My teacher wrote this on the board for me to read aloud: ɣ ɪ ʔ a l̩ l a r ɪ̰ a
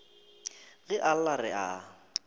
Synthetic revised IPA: ɣ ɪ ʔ a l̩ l a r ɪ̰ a